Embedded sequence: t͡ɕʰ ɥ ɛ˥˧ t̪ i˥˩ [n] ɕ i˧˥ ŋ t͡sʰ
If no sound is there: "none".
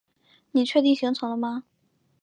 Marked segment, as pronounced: ŋ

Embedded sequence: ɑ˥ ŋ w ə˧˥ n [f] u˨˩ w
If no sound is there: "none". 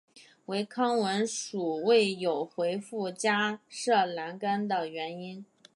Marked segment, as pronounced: ʂ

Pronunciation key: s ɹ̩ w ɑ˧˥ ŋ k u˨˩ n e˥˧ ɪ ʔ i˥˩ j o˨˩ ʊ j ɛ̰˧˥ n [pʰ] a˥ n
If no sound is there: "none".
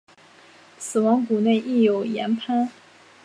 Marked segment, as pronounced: pʰ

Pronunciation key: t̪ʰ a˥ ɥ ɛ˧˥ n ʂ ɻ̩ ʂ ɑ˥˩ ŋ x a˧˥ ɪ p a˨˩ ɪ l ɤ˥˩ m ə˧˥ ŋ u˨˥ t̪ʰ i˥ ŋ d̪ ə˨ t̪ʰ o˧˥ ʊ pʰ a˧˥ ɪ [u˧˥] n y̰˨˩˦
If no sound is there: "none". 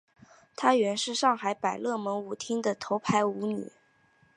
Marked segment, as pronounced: u˧˥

